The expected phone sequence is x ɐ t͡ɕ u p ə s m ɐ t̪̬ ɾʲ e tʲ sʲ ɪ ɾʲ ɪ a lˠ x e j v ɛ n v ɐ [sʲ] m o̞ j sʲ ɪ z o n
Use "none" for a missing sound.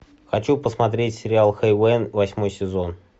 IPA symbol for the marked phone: sʲ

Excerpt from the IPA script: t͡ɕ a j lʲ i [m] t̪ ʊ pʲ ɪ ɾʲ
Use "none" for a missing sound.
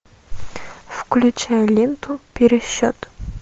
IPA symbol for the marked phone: n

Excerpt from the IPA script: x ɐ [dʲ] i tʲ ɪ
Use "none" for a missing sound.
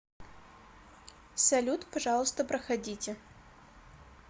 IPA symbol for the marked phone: dʲ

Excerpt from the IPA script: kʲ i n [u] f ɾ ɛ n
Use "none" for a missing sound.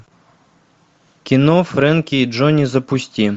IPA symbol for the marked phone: ɔ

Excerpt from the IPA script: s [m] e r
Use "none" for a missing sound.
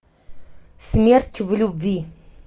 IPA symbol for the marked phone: m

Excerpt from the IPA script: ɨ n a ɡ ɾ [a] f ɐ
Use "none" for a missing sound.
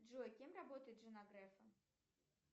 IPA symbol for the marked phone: ɛ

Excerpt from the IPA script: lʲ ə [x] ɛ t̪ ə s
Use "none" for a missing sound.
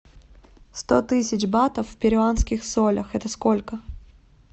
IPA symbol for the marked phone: x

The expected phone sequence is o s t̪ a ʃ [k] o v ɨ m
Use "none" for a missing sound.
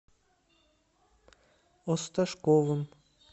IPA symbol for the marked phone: k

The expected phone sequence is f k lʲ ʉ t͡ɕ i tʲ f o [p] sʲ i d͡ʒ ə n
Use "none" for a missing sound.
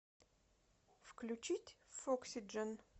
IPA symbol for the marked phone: k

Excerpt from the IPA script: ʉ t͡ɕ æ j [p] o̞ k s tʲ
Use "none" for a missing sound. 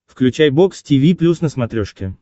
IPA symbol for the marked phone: b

